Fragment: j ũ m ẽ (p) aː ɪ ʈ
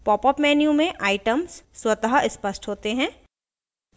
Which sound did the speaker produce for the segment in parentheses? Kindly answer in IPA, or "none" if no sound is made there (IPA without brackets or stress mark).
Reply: ʔ